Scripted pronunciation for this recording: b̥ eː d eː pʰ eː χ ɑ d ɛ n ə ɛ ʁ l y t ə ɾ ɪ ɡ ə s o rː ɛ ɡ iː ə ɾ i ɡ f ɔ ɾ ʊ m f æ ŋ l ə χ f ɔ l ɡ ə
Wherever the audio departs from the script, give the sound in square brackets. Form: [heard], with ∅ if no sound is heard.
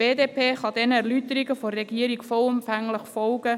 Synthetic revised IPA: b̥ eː d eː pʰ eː χ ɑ d ɛ n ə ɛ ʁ l y t ə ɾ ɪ ɡ ə [f] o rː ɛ ɡ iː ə ɾ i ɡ f ɔ [l] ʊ m f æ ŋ l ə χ f ɔ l ɡ ə